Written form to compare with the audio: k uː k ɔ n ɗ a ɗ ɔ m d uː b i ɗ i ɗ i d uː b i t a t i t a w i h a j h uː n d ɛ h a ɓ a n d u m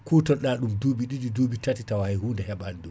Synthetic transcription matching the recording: k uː t ɔ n ɗ a ɗ u m d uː b i ɗ i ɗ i d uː b i t a t i t a w a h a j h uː n d ɛ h ɛ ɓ a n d u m